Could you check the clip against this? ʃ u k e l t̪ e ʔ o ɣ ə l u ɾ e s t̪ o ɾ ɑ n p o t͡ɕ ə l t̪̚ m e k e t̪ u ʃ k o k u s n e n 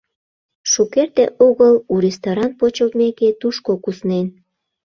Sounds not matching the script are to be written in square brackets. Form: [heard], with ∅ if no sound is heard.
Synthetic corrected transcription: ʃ u k e [r] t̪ e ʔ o ɣ ə l u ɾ e s t̪ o ɾ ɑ n p o t͡ɕ ə l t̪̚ m e k e t̪ u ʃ k o k u s n e n

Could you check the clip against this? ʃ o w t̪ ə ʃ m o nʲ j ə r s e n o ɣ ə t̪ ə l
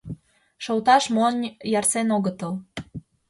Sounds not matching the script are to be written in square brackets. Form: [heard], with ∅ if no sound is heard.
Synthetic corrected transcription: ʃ o w t̪ [ɑ] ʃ m o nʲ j [ɑ] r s e n o ɣ ə t̪ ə l

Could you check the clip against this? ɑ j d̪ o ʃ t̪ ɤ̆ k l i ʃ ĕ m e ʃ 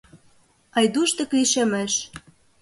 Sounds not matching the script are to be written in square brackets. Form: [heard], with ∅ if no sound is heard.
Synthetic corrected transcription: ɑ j d̪ [u] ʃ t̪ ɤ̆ k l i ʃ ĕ m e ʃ

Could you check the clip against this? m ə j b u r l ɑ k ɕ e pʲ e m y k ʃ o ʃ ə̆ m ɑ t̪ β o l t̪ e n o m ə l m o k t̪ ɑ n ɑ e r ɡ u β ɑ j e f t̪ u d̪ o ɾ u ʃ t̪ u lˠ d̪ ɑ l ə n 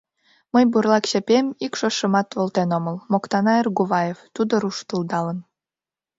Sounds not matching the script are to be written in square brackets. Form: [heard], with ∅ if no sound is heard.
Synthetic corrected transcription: m ə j b u r l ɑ k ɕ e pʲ e m [i] k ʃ o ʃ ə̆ m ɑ t̪ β o l t̪ e n o m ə l m o k t̪ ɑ n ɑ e r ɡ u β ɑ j e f t̪ u d̪ o ɾ u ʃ t̪ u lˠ d̪ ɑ l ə n

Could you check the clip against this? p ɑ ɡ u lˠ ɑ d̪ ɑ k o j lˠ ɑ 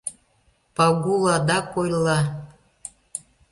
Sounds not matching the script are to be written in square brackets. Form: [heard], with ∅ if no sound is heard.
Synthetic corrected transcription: p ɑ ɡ u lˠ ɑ d̪ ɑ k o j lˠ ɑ

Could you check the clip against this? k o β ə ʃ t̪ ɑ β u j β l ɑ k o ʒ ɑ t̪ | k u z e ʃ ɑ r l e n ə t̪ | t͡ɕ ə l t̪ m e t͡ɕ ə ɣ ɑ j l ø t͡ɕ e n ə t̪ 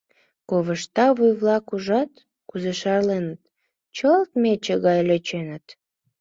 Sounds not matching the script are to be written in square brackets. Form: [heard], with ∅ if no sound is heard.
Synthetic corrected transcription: k o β ə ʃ t̪ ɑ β u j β l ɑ k [u] ʒ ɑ t̪ | k u z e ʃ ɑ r l e n ə t̪ | t͡ɕ ə l t̪ m e t͡ɕ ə ɣ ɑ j l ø t͡ɕ e n ə t̪

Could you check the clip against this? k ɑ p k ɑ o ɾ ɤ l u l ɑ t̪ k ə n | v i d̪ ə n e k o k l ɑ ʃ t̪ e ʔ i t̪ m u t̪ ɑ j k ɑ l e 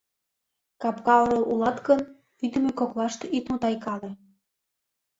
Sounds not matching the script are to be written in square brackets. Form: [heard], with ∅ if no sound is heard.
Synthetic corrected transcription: k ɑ p k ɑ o ɾ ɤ l u l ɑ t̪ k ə n | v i d̪ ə [m] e k o k l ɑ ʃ t̪ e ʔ i t̪ m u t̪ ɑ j k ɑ l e

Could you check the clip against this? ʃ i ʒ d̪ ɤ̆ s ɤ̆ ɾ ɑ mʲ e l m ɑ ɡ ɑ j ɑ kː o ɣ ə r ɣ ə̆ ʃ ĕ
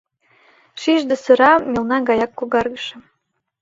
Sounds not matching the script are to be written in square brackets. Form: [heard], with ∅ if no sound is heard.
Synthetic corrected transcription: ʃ i ʒ d̪ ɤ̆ s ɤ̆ ɾ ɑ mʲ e l [n] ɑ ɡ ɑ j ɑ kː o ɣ [ɑ] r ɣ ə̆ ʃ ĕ

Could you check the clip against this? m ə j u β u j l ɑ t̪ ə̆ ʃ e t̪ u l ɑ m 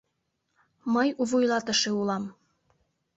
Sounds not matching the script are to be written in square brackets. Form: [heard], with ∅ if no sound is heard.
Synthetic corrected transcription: m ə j u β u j l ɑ t̪ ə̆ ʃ e [∅] u l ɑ m

